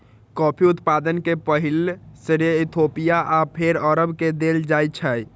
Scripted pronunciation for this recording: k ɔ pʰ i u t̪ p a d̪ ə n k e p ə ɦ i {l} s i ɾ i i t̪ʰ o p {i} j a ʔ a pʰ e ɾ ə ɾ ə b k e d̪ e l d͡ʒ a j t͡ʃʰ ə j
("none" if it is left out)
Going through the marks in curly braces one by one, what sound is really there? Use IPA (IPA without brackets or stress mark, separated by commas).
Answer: l, i